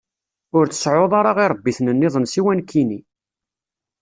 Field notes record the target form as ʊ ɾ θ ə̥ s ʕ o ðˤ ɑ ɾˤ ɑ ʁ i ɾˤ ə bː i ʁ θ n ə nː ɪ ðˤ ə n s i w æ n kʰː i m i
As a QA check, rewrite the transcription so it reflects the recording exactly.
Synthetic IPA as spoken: ʊ ɾ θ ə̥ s ʕ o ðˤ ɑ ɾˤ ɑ ʁ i ɾˤ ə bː i θ n ə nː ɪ ðˤ ə n s i w æ n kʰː i n i